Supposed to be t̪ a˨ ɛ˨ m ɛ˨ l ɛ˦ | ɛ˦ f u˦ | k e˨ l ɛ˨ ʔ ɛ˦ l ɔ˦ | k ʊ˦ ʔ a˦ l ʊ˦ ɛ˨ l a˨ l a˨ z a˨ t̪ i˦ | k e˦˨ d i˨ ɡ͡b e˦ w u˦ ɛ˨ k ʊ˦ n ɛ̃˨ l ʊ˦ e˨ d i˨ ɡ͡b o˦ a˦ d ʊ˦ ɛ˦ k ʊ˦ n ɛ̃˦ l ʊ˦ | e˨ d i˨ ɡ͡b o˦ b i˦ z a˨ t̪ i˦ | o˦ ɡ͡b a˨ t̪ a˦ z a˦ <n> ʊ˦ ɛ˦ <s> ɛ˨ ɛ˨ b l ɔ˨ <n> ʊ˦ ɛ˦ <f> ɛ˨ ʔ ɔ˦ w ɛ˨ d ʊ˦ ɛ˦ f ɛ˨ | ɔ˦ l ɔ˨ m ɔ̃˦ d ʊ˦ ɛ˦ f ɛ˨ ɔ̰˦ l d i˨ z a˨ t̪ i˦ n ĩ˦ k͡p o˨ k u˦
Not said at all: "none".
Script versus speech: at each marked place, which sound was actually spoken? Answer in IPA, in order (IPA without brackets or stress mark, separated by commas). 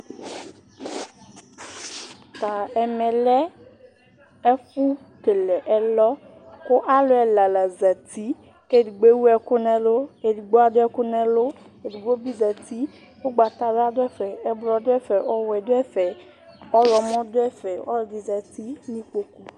d, f, d, f